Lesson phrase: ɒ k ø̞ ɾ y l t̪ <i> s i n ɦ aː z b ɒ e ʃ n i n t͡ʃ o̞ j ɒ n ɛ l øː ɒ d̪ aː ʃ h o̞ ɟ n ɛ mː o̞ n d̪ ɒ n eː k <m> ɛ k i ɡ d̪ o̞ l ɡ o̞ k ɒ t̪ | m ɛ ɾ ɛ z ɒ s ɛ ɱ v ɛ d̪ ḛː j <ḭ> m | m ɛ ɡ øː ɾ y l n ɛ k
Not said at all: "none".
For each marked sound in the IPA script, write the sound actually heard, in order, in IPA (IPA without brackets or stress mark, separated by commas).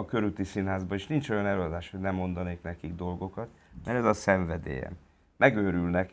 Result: i, n, ɛ̰